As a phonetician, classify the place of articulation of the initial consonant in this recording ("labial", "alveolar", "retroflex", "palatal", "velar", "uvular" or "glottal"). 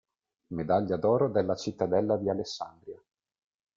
labial